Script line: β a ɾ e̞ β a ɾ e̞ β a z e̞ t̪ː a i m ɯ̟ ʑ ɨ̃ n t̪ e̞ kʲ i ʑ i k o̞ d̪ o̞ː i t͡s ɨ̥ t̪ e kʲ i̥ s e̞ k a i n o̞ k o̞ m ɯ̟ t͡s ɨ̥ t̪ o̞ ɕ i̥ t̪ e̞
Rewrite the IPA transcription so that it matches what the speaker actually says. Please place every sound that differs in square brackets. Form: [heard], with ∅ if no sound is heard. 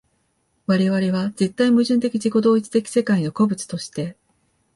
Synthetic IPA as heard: β a ɾ e̞ β a ɾ e̞ β a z e̞ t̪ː a i m ɯ̟ ʑ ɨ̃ n t̪ e̞ kʲ i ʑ i k o̞ d̪ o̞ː i t͡s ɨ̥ t̪ e kʲ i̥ s e̞ k a i n o̞ k o̞ [b] ɯ̟ t͡s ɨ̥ t̪ o̞ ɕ i̥ t̪ e̞